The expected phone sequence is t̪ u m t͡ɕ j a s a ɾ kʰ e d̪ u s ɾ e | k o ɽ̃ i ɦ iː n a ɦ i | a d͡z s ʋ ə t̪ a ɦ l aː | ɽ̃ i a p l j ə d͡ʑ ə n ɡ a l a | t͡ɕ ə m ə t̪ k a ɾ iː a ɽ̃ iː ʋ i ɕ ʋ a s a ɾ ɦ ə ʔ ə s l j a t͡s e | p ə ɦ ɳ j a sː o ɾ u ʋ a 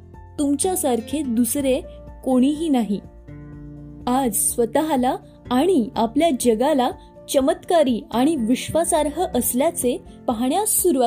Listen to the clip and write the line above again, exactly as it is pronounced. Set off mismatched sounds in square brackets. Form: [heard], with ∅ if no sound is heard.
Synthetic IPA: t̪ u m t͡ɕ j a s a ɾ kʰ e d̪ u s ɾ e | k o ɽ̃ i ɦ iː n a ɦ i | a d͡z s ʋ ə t̪ a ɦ l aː | ɽ̃ i a p l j [a] d͡ʑ ə [∅] ɡ a l a | t͡ɕ ə m ə t̪ k a ɾ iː a ɽ̃ [i] ʋ i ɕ ʋ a s a ɾ ɦ ə ʔ ə s l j a t͡s e | p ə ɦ ɳ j a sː [u] ɾ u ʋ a